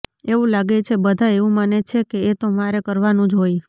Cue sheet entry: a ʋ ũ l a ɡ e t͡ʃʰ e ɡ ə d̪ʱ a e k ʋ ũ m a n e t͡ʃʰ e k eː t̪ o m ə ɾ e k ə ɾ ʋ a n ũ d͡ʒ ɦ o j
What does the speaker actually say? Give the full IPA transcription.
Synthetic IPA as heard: e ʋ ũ l a ɡ e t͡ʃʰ e b ə d̪ʱ a e ʋ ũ m a n e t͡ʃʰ e k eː t̪ o m a ɾ e k ə ɾ ʋ a n ũ d͡ʒ ɦ o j